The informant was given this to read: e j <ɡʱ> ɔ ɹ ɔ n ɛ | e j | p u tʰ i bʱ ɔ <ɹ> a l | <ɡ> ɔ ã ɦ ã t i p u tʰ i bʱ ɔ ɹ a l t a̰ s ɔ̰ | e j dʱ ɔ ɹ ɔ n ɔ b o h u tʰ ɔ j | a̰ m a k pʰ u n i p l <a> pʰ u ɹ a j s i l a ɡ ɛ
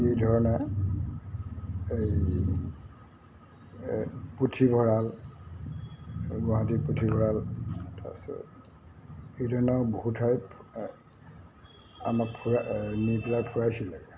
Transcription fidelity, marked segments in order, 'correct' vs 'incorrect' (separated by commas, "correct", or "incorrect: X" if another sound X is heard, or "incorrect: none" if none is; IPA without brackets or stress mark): incorrect: dʱ, correct, correct, correct